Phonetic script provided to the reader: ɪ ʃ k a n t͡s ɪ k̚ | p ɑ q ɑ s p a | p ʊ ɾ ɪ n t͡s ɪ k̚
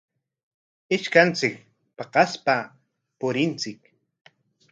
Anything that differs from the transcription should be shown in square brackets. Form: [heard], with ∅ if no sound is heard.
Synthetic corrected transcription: ɪ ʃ k a n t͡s ɪ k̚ | p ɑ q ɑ s p a | p ʊ ɾ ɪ n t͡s ɪ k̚